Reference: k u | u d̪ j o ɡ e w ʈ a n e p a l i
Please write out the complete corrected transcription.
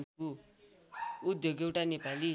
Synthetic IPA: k u | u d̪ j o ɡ e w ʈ a n e p a l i